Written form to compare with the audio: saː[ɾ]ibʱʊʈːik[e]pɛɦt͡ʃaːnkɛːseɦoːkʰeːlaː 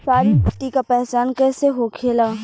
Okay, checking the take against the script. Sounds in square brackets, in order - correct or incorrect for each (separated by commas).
correct, incorrect